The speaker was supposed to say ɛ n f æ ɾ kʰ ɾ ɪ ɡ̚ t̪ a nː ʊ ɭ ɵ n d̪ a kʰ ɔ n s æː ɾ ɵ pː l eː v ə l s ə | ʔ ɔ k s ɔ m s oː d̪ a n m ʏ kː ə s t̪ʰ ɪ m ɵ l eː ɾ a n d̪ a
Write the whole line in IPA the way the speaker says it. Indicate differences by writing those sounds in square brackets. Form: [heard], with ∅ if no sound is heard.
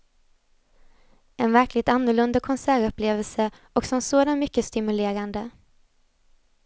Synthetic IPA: ɛ n [v] æ ɾ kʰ [l] ɪ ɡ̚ t̪ a nː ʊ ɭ ɵ n d̪ a kʰ ɔ n s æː ɾ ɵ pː l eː v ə l s ə | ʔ ɔ k s ɔ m s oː d̪ a n m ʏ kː ə s [t̪] ɪ m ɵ l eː ɾ a n d̪ [ə]